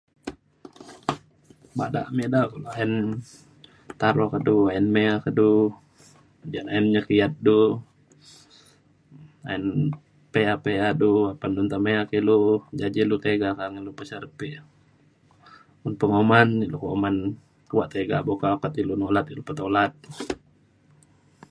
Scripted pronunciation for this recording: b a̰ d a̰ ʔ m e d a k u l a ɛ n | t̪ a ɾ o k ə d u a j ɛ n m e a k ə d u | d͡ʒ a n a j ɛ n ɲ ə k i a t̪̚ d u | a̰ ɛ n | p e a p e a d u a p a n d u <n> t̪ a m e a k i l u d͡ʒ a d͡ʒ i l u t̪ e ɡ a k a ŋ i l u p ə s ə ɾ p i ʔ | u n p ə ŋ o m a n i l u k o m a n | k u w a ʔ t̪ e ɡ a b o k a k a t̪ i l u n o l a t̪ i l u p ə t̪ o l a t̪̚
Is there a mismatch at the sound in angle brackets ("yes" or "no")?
no